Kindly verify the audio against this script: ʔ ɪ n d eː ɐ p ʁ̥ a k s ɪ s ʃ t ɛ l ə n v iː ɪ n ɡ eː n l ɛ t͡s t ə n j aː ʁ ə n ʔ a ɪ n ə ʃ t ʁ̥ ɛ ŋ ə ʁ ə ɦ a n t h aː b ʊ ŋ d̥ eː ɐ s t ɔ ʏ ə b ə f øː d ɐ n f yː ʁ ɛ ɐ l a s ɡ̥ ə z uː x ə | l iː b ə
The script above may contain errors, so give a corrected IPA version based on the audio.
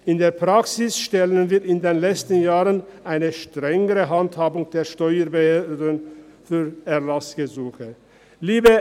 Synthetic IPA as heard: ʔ ɪ n d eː ɐ p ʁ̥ a k s ɪ s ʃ t ɛ l ə n v iː ɪ n d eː n l ɛ t͡s t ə n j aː ʁ ə n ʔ a ɪ n ə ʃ t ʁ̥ ɛ ŋ ə ʁ ə ɦ a n t h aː b ʊ ŋ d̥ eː ɐ ʃ t ɔ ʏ ə b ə h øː d ə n f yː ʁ ɛ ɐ l a s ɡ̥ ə z uː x ə | l iː b ə